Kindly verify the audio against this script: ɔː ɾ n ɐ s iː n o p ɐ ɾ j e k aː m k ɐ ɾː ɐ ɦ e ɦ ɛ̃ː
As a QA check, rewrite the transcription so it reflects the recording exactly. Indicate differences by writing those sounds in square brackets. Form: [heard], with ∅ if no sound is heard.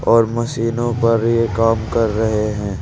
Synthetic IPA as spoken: ɔː ɾ [m] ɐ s iː n [õ] p ɐ ɾ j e k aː m k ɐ ɾː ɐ ɦ e ɦ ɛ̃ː